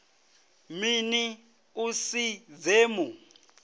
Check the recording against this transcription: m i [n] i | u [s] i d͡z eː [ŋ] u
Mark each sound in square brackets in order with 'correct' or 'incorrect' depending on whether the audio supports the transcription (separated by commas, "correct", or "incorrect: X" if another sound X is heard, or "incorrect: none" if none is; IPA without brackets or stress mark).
correct, correct, incorrect: m